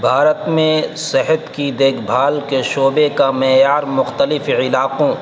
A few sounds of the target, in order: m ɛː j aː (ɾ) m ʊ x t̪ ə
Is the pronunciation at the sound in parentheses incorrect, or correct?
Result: correct